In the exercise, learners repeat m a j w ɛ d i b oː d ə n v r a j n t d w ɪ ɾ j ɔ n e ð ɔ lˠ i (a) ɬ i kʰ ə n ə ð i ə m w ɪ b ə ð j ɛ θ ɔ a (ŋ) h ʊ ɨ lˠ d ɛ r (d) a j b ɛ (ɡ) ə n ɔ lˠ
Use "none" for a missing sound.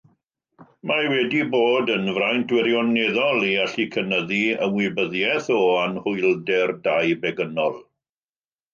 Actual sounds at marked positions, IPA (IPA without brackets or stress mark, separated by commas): a, n, d, ɡ